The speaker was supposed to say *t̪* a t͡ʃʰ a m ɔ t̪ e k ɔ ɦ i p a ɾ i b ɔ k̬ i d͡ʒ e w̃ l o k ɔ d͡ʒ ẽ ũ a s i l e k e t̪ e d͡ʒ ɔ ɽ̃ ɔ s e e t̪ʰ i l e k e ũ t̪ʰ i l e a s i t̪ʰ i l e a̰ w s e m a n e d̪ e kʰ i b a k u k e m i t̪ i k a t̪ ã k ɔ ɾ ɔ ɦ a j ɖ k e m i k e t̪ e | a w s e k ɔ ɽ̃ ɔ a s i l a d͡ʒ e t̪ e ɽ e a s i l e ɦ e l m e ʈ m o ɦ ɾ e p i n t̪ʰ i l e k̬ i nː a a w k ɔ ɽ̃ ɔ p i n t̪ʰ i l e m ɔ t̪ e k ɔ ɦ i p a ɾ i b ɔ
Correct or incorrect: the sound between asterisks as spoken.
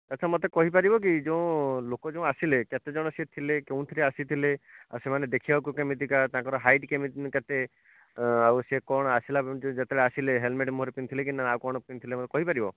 correct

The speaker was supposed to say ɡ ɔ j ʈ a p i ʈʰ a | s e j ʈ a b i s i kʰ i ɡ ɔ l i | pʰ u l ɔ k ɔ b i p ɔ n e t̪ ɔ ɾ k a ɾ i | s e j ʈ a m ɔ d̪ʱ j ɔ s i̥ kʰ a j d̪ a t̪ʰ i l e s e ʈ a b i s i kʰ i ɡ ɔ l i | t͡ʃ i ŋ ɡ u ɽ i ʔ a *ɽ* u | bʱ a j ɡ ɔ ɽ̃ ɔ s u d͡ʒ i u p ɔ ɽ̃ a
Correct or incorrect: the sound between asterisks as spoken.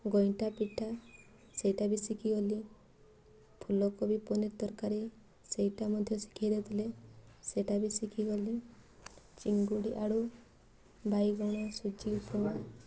correct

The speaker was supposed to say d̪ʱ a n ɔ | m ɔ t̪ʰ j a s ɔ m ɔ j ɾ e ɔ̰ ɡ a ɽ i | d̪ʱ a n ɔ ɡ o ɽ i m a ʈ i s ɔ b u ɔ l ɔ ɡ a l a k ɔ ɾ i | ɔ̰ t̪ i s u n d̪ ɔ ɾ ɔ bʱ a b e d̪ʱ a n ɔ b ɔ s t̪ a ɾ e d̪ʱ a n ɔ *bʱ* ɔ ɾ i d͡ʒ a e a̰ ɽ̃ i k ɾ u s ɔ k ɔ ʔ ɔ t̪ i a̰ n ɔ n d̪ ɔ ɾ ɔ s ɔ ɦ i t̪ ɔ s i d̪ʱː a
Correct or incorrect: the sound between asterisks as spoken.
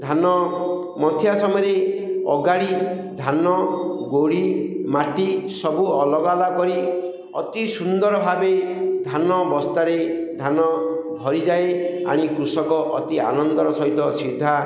correct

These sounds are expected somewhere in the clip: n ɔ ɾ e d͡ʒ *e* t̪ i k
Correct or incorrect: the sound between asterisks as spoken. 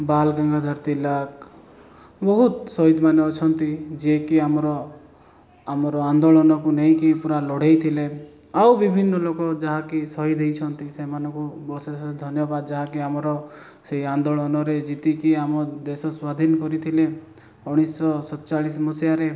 incorrect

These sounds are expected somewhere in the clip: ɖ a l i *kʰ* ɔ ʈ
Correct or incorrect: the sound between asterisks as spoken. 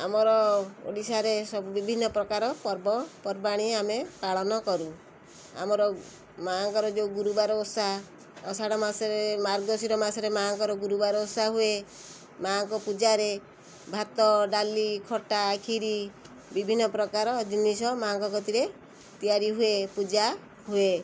correct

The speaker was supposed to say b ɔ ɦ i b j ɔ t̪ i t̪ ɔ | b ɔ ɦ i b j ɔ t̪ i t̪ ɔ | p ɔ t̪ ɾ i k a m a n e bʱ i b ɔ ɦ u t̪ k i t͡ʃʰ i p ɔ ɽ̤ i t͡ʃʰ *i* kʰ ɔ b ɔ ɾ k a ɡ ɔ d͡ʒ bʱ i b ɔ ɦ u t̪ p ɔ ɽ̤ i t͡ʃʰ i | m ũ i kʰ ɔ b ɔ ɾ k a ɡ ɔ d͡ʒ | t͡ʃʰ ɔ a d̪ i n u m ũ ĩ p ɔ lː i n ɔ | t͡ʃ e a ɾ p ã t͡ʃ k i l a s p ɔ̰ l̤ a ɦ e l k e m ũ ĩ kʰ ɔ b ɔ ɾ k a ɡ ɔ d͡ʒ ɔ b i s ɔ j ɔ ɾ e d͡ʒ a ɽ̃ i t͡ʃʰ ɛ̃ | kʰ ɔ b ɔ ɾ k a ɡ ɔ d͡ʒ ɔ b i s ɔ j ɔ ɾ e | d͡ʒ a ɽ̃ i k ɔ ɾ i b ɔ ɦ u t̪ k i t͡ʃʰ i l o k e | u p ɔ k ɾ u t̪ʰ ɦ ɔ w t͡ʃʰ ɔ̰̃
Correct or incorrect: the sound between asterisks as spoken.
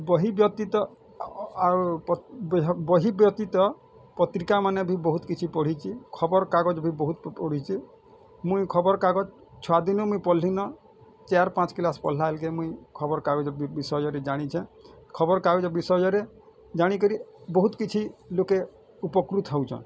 correct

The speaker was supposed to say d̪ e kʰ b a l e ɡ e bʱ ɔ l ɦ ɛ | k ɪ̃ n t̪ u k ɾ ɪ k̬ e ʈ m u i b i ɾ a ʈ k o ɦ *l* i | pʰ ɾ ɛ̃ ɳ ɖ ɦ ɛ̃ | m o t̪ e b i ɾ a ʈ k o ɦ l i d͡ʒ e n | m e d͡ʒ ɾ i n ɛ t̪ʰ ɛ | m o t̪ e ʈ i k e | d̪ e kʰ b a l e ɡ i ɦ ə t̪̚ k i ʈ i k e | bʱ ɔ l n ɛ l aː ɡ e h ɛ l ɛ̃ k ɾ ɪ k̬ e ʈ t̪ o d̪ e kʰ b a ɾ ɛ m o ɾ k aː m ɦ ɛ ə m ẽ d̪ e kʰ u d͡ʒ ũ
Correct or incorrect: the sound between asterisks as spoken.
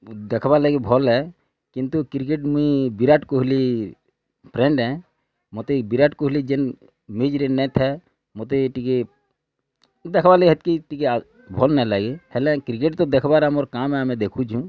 correct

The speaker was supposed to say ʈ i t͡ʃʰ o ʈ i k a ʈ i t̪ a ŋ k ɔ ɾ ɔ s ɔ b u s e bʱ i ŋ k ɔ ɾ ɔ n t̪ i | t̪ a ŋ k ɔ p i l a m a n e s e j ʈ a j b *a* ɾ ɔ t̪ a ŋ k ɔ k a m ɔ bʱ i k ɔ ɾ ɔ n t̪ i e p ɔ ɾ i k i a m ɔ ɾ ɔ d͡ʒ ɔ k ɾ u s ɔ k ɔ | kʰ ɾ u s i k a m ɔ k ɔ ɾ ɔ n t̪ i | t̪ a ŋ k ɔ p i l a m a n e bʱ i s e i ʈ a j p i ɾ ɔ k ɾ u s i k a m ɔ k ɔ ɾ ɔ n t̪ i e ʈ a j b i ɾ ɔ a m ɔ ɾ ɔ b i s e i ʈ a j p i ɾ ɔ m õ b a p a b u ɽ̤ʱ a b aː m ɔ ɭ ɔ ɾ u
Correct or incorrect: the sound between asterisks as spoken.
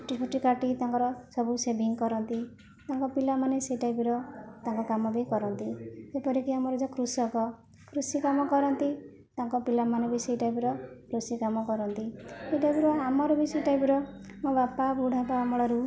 incorrect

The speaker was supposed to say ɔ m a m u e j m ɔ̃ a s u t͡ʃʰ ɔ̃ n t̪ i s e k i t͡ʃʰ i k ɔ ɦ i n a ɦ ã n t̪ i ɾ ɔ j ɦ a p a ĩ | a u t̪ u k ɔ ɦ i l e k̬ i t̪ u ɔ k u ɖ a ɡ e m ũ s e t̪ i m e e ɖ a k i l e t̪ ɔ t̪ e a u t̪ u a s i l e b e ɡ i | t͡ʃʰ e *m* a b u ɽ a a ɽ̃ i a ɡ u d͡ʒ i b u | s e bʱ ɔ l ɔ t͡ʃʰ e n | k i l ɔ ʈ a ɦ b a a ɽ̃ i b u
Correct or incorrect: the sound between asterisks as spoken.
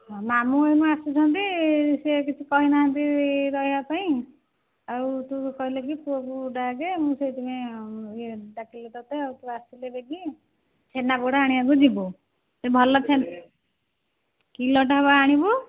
incorrect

